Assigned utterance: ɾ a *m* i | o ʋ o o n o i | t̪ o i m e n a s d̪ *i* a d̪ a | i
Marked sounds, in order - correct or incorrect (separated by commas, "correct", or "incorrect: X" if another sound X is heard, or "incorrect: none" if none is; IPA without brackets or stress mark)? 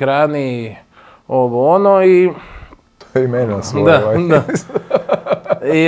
incorrect: n, incorrect: a